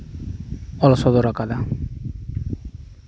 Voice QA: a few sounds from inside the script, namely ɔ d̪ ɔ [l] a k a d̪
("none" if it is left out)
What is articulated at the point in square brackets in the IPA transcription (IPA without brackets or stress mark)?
ɾ